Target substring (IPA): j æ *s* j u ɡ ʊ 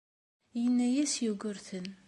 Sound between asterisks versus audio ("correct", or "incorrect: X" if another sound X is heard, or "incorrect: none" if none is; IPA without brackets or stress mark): correct